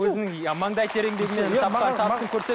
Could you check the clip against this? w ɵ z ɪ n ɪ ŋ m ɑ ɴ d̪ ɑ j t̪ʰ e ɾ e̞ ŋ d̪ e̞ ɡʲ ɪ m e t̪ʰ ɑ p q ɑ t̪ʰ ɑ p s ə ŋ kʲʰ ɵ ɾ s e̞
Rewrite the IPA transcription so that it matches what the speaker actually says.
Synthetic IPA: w ɵ z ɪ n ɪ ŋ m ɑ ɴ d̪ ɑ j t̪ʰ e ɾ e̞ ŋ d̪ e̞ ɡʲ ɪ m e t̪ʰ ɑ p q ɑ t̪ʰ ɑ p s ə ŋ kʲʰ ɵ ɾ s e̞